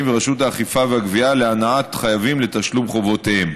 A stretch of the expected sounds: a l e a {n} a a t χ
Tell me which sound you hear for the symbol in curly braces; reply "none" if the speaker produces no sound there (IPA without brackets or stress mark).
n